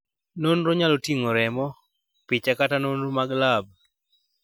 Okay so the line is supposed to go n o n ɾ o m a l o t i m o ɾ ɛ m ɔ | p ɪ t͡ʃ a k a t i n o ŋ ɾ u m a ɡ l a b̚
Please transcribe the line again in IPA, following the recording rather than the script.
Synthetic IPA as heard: n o n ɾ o ɲ a l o t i ŋ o ɾ ɛ m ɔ | p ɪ t͡ʃ a k a t a n o n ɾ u m a ɡ l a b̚